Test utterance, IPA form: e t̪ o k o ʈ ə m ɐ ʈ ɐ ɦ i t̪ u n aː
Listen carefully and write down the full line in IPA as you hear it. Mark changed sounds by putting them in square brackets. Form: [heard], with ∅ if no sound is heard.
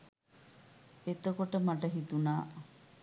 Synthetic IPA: e t̪ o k o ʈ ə m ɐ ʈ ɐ ɦ i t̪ u n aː